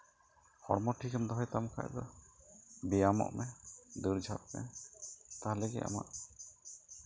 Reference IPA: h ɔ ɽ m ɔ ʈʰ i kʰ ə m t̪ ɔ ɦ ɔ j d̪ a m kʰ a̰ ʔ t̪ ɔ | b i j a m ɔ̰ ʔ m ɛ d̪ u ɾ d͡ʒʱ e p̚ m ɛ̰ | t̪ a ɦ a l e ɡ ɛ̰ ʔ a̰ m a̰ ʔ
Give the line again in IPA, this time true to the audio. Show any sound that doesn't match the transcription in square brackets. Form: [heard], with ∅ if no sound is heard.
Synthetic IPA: h ɔ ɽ m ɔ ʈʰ i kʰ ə m [d̪] ɔ ɦ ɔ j [t̪] a m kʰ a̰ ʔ [d̪] ɔ | b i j a m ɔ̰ ʔ m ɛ d̪ u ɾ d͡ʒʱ [a] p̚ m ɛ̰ | t̪ a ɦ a l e ɡ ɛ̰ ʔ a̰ m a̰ ʔ